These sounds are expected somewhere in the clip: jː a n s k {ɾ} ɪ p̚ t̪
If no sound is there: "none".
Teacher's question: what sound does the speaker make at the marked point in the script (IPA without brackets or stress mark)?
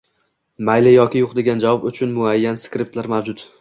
ɾ